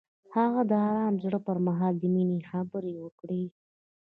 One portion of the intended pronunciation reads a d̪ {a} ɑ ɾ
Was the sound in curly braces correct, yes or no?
no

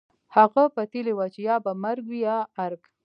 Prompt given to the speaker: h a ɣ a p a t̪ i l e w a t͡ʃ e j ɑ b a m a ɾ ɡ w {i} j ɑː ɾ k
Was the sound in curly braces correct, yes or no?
yes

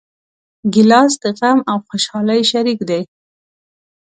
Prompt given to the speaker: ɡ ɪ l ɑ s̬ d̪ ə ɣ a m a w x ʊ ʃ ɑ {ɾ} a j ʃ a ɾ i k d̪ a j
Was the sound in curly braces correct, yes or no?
no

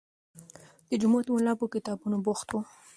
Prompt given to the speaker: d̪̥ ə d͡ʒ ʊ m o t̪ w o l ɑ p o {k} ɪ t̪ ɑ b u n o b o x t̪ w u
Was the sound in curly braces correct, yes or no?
yes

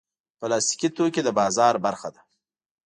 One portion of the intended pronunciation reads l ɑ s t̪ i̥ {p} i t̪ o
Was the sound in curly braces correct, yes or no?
no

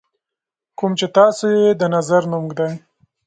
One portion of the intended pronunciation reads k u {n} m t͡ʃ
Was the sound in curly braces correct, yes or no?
no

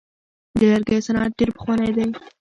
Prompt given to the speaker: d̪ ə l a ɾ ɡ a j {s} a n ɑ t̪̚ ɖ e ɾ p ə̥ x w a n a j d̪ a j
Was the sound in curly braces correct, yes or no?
yes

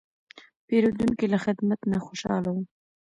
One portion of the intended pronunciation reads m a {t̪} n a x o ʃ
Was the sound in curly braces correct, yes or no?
yes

